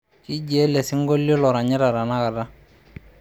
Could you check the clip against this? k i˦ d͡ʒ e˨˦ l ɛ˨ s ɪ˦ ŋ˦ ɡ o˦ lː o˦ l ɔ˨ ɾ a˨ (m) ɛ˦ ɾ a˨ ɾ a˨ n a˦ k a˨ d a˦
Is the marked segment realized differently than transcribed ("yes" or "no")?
yes